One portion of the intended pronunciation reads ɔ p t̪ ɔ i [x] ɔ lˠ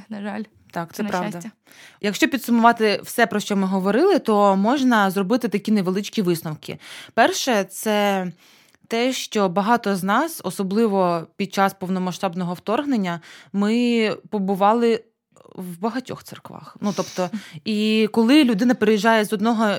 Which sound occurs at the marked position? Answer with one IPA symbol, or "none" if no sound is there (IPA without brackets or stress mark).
k